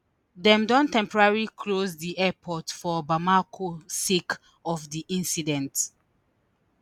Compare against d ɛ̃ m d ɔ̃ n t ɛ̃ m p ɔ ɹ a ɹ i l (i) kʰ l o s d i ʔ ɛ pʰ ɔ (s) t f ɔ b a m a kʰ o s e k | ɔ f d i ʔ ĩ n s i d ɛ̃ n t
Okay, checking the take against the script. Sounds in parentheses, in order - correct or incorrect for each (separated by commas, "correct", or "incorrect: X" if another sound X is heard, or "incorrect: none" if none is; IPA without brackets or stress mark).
correct, incorrect: none